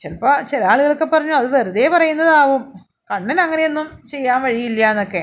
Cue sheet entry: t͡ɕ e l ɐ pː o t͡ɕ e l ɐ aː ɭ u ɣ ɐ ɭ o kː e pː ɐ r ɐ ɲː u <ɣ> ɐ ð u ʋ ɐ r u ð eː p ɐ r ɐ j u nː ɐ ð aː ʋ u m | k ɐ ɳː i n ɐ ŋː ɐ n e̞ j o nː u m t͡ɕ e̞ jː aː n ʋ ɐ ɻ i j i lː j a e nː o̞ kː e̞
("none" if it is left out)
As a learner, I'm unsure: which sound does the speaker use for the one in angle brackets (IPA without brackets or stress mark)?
none